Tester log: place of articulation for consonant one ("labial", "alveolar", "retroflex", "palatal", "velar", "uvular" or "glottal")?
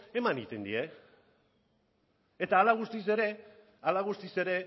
labial